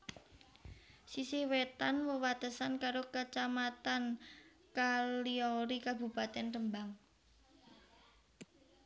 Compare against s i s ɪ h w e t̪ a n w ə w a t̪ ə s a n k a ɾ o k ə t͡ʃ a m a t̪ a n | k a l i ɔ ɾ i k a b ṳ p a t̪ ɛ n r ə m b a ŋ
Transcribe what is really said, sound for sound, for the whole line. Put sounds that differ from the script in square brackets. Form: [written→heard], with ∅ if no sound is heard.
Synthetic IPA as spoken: s i s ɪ h w e t̪ a n w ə w a t̪ ə s a n k a ɾ o k ə t͡ʃ a m a t̪ a n | k a l i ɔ ɾ i k a b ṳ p a t̪ ɛ n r ə m b a ŋ